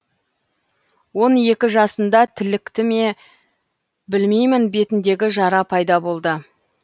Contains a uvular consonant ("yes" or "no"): no